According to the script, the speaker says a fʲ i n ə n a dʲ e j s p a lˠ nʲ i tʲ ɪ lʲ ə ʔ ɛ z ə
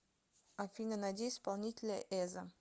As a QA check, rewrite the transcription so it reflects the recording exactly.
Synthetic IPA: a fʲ i n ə n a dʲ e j s p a lˠ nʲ i tʲ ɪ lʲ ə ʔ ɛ z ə